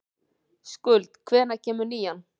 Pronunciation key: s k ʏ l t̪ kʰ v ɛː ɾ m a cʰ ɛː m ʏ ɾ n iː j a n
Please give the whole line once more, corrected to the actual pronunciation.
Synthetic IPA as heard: s k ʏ l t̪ kʰ v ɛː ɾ n a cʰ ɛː m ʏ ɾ n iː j a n